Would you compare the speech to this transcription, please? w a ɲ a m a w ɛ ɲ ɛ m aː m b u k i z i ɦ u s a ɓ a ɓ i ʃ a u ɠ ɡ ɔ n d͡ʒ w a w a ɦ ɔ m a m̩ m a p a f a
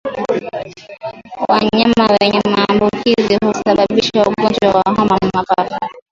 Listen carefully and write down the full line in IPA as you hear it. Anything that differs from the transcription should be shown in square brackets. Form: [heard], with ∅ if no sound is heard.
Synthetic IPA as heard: w a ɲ a m a w ɛ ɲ ɛ m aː m b u k i z i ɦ u s a ɓ a ɓ i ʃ a u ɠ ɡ ɔ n d͡ʒ w a w a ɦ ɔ m a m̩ m a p a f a